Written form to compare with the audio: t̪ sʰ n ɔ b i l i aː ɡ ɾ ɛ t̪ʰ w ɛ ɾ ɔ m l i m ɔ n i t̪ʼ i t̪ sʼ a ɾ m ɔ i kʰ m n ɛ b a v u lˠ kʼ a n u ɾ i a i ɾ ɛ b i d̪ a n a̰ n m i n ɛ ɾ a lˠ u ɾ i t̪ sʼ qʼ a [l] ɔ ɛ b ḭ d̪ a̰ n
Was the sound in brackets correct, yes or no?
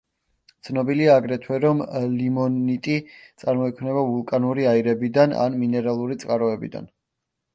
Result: no